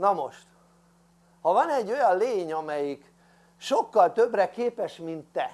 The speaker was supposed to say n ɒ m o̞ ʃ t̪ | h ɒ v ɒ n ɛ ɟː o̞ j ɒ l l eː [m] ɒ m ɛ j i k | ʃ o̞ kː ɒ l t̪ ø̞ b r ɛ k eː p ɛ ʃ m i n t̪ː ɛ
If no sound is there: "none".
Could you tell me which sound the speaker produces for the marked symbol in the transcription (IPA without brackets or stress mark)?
ɲ